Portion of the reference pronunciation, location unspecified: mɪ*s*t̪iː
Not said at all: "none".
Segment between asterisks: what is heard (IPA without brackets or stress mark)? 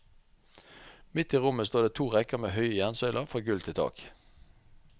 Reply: none